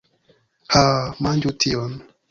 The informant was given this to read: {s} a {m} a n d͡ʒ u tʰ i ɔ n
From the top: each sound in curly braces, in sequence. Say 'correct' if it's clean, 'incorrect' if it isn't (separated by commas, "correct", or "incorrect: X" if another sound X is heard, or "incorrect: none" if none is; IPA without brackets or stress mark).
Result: incorrect: h, correct